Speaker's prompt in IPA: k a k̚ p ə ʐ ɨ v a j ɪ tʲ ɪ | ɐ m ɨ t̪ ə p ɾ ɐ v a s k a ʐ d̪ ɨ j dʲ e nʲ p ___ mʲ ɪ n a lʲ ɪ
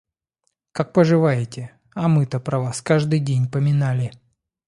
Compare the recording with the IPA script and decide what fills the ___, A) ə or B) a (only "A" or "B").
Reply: A